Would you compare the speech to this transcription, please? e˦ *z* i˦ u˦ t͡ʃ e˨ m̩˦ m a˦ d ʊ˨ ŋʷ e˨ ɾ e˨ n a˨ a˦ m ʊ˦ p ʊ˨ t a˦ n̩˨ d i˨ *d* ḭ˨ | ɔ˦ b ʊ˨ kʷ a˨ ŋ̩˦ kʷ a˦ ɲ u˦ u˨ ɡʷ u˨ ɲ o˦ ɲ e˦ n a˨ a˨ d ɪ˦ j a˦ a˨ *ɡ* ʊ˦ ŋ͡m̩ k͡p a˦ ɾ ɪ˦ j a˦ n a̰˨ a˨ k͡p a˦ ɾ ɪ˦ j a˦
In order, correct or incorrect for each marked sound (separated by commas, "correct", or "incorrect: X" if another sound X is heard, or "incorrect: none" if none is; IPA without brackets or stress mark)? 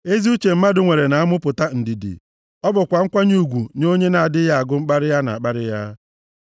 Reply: correct, correct, correct